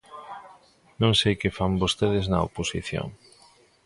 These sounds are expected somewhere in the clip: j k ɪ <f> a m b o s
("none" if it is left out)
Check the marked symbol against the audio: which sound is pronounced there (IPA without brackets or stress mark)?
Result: f